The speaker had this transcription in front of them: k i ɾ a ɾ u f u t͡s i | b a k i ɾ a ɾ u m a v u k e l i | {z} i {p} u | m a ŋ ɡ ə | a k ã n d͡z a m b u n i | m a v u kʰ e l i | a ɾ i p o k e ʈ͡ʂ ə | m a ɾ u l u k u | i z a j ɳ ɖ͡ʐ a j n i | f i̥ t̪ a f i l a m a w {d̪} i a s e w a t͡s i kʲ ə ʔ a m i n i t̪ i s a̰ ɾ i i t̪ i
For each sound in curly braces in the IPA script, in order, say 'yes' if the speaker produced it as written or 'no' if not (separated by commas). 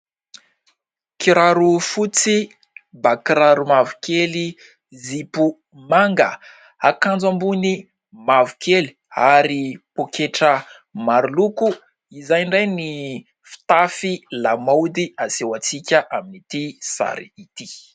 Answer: yes, yes, yes